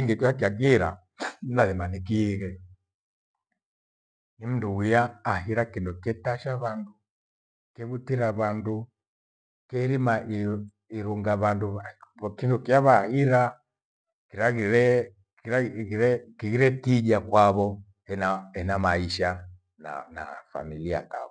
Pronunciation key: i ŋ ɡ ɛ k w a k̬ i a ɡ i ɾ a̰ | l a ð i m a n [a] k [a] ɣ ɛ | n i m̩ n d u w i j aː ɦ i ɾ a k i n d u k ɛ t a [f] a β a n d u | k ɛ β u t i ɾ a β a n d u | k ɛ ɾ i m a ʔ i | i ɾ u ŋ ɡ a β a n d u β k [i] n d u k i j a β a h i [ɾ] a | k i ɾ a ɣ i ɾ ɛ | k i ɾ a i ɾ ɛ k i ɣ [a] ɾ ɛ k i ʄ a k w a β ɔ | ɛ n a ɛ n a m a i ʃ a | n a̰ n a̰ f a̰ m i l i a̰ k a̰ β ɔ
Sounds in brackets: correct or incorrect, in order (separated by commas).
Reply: incorrect, incorrect, incorrect, correct, correct, incorrect